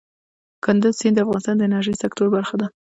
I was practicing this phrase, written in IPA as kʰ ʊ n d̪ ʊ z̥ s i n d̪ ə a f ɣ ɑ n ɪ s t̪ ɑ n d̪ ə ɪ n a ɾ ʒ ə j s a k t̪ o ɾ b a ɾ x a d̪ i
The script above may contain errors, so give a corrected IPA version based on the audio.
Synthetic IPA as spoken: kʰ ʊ n d̪ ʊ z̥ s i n d̪ ə a f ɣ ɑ n ɪ s t̪ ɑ n d̪ ə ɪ n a ɾ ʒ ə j s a k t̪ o ɾ b a ɾ x a d̪ a